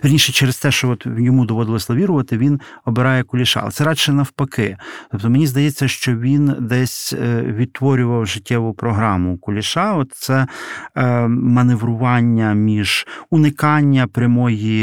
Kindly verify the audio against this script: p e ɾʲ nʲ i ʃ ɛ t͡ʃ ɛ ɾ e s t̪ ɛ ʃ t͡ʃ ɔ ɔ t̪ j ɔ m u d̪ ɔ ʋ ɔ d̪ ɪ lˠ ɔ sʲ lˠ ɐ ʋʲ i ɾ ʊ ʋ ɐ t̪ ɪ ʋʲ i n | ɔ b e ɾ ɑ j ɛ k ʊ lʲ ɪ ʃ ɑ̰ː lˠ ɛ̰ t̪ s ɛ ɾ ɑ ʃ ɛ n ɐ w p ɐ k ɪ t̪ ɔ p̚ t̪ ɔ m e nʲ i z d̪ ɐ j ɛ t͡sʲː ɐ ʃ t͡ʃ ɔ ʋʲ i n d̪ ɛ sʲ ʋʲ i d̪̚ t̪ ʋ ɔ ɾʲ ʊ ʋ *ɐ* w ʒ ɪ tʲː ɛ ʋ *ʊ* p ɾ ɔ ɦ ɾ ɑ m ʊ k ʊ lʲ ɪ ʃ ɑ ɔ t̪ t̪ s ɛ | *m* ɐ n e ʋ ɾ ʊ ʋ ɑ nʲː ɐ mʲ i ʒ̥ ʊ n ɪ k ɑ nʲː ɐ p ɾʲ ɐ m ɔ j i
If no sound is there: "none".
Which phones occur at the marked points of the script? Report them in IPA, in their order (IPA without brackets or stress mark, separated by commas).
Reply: ɐ, ʊ, m